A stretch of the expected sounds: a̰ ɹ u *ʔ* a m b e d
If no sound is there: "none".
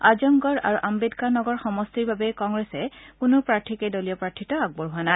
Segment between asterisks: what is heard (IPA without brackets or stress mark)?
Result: ʔ